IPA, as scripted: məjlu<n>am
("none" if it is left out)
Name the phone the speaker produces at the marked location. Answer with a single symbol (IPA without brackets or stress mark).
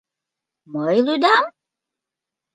d